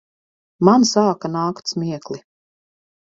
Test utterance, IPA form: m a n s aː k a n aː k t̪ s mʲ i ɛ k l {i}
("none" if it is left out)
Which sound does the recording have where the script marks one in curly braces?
i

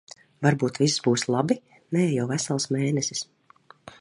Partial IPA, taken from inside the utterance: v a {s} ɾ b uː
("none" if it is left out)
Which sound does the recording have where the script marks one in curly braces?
none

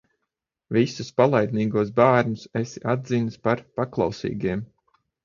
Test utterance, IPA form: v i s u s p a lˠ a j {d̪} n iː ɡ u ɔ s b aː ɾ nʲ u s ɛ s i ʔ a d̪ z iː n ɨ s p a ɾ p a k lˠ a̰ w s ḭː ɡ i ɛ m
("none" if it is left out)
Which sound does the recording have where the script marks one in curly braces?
d̪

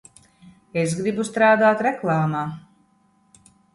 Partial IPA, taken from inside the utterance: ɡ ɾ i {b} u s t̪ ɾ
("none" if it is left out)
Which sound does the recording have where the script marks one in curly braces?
b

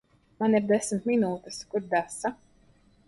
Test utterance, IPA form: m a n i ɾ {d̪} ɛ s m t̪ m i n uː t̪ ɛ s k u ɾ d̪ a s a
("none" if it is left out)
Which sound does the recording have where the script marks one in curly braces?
d̪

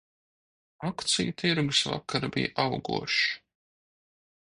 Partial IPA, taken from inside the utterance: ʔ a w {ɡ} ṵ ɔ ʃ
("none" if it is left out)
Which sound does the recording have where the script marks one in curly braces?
ɡ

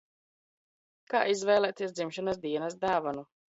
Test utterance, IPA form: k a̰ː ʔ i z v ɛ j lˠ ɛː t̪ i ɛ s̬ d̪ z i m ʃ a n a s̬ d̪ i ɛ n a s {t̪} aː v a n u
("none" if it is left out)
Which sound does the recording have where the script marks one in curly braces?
d̪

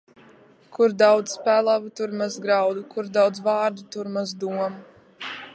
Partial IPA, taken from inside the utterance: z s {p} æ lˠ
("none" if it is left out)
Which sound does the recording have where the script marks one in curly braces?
p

